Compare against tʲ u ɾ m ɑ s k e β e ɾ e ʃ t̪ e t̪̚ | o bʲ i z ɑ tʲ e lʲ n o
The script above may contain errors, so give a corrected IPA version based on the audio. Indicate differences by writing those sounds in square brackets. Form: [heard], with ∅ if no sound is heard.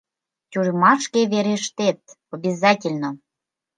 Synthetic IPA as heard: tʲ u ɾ m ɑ [ʃ] k e β e ɾ e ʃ t̪ e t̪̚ | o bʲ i z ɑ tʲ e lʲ n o